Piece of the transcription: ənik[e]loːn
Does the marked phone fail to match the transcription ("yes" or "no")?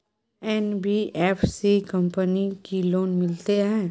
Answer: yes